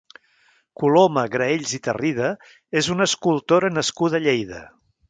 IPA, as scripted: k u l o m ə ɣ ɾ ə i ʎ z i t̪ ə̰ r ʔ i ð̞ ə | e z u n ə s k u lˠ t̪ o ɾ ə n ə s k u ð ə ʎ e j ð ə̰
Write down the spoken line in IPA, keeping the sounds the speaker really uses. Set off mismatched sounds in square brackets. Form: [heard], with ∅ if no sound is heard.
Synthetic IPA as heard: k u l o m ə ɣ ɾ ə [e] ʎ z i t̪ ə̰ r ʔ i ð̞ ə | e z u n ə s k u lˠ t̪ o ɾ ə n ə s k u ð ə ʎ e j ð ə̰